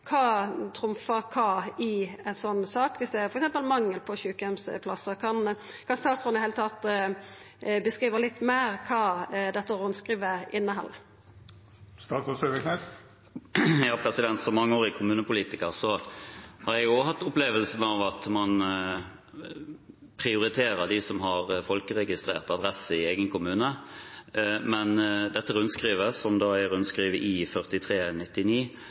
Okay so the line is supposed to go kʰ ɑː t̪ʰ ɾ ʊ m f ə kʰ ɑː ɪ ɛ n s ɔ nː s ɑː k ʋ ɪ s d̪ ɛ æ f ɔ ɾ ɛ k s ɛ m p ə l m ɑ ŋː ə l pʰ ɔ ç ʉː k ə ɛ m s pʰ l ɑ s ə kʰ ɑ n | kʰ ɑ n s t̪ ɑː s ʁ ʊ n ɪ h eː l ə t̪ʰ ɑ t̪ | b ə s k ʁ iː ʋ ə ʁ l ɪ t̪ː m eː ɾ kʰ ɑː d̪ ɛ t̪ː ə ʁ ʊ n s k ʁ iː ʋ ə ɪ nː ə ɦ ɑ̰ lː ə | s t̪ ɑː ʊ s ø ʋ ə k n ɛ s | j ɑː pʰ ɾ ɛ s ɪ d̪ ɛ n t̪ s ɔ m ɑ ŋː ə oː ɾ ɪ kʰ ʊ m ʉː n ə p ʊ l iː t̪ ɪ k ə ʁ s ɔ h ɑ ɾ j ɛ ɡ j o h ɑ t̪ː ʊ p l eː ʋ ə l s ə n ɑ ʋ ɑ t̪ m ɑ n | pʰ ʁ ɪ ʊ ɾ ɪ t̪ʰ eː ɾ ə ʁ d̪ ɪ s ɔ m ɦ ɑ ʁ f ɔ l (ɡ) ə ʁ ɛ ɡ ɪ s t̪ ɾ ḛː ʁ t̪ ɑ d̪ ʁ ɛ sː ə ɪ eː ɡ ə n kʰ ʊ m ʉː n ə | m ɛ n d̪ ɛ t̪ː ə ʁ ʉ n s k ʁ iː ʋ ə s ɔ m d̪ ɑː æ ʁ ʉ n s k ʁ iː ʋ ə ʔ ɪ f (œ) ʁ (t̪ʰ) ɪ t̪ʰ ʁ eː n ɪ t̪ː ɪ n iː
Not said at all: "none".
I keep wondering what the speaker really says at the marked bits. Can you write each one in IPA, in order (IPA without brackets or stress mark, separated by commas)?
k, œ, t̪